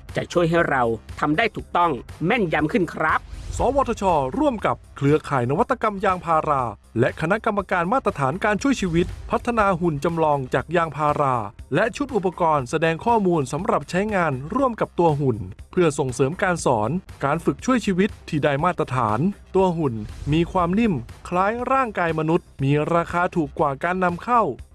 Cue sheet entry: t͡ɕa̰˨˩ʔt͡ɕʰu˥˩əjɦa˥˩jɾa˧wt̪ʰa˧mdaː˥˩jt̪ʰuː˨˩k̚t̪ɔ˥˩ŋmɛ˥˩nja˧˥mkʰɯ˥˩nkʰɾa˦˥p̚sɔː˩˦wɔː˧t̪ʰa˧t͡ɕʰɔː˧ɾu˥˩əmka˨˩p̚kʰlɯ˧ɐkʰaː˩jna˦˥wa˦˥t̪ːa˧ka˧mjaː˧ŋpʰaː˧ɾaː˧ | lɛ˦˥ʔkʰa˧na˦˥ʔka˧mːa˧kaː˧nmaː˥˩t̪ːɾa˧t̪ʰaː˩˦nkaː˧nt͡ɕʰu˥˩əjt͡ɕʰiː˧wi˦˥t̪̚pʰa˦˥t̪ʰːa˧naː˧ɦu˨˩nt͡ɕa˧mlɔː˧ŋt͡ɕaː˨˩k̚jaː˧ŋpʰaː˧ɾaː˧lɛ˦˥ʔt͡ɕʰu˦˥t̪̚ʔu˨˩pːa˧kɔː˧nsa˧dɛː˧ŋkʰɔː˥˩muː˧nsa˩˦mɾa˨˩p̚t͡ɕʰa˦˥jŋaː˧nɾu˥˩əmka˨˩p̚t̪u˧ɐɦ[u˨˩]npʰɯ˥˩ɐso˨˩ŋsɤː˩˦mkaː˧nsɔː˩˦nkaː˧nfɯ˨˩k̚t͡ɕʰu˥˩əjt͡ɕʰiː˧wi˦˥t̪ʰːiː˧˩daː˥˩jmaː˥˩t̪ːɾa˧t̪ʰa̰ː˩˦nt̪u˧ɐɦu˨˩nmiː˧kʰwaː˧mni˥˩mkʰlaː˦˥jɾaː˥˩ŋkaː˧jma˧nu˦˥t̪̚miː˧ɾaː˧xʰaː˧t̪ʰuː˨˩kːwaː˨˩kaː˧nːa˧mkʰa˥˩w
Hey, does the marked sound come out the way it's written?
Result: yes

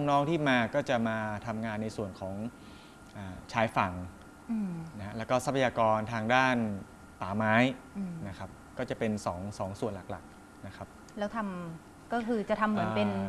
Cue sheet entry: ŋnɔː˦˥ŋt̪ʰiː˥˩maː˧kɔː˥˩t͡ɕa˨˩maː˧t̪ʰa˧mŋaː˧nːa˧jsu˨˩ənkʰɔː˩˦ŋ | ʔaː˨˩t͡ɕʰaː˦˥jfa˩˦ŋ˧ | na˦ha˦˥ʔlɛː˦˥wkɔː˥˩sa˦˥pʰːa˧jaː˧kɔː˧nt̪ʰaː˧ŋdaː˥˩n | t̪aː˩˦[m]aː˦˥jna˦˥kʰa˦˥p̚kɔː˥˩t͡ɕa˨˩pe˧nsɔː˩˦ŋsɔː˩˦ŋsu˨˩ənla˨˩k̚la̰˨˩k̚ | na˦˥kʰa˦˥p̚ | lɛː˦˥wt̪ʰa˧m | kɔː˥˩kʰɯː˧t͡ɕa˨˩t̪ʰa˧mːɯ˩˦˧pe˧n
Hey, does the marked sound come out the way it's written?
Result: yes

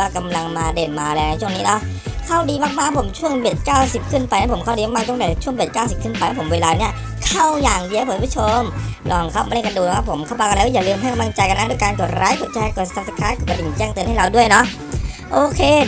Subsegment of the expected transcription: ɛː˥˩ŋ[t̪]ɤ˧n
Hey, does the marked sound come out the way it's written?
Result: yes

